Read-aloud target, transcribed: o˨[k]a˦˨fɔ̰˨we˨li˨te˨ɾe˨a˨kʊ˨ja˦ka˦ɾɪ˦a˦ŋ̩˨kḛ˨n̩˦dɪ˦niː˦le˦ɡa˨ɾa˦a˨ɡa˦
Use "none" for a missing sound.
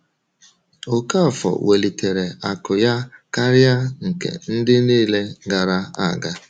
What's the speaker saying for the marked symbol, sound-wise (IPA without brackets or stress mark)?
k